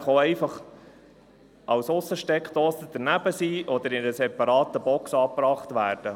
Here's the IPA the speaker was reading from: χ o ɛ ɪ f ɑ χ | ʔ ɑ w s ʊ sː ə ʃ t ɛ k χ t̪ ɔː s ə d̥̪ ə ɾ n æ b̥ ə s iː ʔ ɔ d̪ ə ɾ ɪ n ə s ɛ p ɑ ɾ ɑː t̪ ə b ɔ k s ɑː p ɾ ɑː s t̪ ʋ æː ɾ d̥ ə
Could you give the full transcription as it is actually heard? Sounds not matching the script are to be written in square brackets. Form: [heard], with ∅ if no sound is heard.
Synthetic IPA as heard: χ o ɛ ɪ f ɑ χ | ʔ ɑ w s ʊ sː ə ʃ t ɛ k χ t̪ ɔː s ə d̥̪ ə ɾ n æ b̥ ə s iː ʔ ɔ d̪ ə ɾ ɪ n ə s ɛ p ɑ ɾ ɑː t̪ ə b ɔ k s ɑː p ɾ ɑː [χ] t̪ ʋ æː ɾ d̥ ə

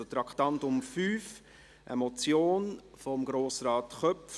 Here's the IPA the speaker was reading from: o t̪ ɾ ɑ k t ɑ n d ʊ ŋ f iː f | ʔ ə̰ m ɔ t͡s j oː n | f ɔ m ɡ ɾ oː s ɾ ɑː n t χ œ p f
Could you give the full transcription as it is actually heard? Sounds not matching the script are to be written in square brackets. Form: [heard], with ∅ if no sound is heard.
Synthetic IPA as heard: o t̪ ɾ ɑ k t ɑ n [t] ʊ [m] f [yː] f | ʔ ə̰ m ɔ t͡s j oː n | f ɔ m ɡ ɾ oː s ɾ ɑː [∅] t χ œ p f

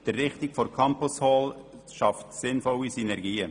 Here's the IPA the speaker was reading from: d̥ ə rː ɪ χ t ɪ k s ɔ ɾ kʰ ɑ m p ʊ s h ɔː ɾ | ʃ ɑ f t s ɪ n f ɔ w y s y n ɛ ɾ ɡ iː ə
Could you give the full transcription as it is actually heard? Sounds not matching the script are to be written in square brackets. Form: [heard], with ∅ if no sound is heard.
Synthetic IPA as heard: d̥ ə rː ɪ χ t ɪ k [f] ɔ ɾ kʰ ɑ m p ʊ s h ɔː [l] | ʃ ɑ f t s ɪ n f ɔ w [i] s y n ɛ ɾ ɡ iː ə

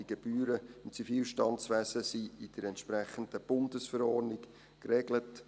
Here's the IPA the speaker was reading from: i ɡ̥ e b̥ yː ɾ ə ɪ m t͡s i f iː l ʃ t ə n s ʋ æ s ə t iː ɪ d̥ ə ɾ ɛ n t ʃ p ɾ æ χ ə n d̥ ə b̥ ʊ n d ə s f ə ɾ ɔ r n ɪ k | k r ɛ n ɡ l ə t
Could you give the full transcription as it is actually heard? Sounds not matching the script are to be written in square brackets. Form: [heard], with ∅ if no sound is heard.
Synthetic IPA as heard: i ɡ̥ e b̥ yː ɾ ə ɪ m t͡s i f iː l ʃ t [ɑ] n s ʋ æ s ə [s] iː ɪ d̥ ə ɾ ɛ n t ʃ p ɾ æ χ ə n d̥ ə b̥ ʊ n d ə s f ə ɾ ɔ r n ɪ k | k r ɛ [∅] ɡ l ə t

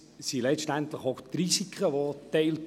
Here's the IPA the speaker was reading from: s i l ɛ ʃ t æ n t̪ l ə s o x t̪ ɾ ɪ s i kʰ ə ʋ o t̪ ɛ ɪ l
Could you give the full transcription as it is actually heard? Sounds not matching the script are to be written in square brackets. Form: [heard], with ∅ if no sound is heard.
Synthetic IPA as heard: s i l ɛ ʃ t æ n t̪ l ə [χ] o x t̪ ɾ [i] s i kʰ ə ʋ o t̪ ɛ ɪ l

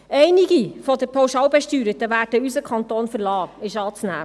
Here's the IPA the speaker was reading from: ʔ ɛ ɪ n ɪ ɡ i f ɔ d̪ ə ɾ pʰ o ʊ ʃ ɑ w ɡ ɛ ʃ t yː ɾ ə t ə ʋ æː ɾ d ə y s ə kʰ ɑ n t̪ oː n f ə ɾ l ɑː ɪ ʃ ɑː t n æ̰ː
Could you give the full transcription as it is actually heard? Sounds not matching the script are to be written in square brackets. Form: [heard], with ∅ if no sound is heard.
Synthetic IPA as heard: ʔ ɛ ɪ n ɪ ɡ i f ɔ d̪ ə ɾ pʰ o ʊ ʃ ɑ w [b] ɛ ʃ t yː ɾ ə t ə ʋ æː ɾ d ə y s ə kʰ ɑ n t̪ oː n f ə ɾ l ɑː ɪ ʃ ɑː [t͡s] n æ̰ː

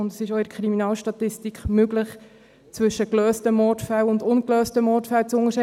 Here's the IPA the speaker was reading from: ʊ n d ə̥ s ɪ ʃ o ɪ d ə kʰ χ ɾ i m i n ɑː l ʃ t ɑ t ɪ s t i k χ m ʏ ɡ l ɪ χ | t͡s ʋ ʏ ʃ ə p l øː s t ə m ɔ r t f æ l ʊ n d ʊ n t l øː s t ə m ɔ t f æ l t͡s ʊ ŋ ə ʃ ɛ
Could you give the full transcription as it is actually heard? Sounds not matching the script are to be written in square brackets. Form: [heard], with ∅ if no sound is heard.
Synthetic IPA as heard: ʊ n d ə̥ s ɪ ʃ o ɪ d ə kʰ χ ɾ i m i n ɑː l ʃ t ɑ t ɪ s t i k χ m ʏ ɡ l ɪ χ | t͡s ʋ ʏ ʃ ə [k] l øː s t ə m ɔ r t f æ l ʊ n d ʊ n [k] l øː s t ə m ɔ t f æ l t͡s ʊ ŋ ə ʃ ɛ

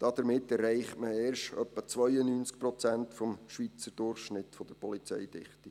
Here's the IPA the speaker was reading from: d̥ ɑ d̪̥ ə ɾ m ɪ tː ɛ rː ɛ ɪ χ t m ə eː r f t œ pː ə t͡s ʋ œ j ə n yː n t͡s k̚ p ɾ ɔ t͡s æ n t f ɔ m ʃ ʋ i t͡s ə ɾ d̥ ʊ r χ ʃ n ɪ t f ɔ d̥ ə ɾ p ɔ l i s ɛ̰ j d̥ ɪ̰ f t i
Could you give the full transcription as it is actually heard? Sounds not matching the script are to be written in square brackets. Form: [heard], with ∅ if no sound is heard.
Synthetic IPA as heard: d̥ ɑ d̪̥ ə ɾ m ɪ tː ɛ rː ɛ ɪ χ t m ə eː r [ʃ] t œ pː ə t͡s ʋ œ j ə n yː n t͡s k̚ p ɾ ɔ t͡s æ n t f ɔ m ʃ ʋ i t͡s ə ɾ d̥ ʊ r χ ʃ n ɪ t f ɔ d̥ ə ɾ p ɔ l i [t͡s] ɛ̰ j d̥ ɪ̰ [χ] t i

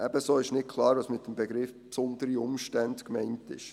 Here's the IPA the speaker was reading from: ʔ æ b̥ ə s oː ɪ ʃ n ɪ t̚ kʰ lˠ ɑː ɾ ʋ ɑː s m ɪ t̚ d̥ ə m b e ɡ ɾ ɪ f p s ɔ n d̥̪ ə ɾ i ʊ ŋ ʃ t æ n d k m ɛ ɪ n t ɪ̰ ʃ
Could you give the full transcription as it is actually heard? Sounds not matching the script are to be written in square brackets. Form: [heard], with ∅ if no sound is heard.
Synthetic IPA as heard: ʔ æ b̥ ə s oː ɪ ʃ n ɪ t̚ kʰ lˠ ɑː ɾ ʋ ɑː s m ɪ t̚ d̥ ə m b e ɡ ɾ ɪ f p s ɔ n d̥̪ ə ɾ i ʊ [m] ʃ t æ n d k m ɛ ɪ n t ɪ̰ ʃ

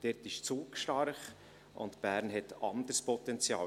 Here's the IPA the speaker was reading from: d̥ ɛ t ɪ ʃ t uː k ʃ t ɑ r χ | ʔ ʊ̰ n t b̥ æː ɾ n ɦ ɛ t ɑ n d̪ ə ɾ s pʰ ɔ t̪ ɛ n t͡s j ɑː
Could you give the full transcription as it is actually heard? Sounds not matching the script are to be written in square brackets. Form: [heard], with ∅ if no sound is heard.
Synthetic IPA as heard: d̥ ɛ t ɪ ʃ [t͡s] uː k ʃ t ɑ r χ | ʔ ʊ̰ n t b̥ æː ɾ n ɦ ɛ t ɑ n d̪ ə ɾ s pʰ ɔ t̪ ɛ n t͡s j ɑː

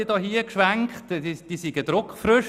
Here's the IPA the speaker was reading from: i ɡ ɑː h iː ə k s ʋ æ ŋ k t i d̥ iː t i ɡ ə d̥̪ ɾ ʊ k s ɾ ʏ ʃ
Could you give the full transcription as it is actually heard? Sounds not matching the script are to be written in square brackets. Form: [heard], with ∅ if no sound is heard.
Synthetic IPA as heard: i [d] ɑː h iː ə k [ʃ] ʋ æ ŋ k t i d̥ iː [s] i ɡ ə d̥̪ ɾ ʊ k [f] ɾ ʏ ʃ

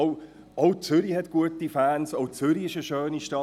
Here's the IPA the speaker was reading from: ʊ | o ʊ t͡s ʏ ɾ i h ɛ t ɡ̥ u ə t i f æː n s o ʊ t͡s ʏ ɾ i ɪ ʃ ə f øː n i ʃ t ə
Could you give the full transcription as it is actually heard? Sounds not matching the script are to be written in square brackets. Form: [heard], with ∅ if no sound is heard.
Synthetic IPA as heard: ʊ | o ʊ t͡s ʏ ɾ i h ɛ t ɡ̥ u ə t i f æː n s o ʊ t͡s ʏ ɾ i ɪ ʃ ə [ʃ] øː n i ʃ t [ɑ]

